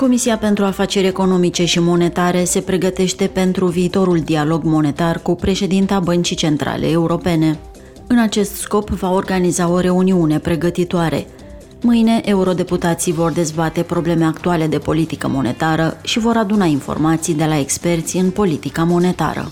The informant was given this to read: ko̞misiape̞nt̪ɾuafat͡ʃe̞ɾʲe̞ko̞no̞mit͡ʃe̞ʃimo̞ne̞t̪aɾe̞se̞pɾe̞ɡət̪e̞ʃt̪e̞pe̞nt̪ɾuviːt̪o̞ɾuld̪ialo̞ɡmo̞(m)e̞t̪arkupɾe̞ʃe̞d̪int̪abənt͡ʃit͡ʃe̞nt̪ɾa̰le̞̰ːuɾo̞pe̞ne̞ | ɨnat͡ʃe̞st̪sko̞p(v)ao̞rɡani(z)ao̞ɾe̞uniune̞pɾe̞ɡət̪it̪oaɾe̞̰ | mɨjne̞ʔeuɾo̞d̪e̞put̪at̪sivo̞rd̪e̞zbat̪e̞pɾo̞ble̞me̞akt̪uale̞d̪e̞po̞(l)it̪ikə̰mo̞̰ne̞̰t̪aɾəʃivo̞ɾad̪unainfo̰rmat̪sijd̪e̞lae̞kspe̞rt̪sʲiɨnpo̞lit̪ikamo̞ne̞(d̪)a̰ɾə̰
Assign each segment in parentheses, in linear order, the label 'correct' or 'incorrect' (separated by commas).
incorrect, correct, correct, correct, incorrect